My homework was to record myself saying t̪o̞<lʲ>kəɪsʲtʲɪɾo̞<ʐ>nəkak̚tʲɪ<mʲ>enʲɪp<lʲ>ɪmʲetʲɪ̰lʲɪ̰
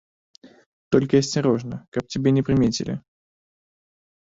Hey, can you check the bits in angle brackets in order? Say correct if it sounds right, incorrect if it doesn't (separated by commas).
correct, correct, incorrect, incorrect